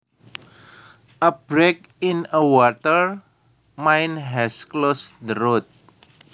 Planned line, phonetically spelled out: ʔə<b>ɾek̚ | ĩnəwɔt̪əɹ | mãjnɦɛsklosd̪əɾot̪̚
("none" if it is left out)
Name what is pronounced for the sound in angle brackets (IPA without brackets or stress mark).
b